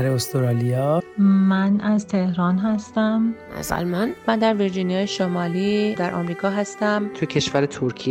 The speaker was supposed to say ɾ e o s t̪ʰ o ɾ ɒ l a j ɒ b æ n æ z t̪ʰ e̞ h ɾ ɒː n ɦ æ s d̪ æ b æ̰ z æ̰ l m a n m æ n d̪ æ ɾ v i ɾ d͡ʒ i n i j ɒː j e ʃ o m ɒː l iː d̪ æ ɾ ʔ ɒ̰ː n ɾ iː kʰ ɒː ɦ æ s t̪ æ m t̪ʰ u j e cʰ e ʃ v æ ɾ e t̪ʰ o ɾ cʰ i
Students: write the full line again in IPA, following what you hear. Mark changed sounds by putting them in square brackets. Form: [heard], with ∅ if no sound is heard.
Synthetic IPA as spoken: ɾ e o s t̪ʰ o ɾ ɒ l [i] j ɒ [m] æ n æ z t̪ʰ e̞ h ɾ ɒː n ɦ æ s [t̪] æ [m] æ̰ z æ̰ l m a n m æ n d̪ æ ɾ v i ɾ d͡ʒ i n i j ɒː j e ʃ o m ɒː l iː d̪ æ ɾ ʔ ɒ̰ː [m] ɾ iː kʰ ɒː ɦ æ s t̪ æ m t̪ʰ u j e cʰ e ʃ v æ ɾ e t̪ʰ o ɾ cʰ i